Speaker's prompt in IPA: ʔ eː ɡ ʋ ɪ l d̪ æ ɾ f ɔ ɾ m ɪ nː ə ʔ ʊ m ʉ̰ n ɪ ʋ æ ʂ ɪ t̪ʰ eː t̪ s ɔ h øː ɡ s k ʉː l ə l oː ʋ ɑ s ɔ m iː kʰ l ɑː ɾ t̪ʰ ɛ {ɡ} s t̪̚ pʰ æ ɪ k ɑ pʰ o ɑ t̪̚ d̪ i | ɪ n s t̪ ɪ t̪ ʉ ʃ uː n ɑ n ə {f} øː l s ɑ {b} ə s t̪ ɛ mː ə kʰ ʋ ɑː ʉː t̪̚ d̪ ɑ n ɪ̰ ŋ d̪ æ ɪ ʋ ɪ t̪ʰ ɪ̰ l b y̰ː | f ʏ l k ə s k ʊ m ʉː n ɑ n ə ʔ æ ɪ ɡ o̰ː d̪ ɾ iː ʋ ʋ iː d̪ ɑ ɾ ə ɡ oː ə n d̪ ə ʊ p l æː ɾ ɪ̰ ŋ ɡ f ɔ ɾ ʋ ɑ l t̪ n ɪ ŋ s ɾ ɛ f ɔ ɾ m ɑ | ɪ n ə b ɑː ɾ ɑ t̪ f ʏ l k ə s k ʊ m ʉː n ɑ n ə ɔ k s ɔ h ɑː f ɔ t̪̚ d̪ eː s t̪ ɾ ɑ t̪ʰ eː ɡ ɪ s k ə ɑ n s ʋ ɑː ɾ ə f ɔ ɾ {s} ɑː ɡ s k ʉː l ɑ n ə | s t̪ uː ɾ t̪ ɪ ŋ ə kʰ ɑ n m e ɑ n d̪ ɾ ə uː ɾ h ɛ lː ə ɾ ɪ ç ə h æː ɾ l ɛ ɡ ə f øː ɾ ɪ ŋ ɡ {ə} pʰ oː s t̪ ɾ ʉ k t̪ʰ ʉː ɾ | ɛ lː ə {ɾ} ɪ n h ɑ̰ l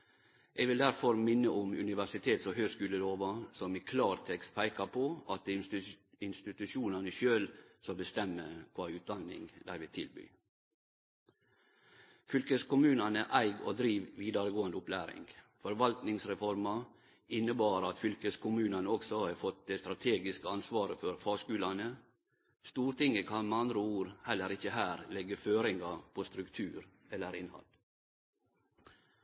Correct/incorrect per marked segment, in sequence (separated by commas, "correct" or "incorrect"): incorrect, incorrect, correct, incorrect, incorrect, correct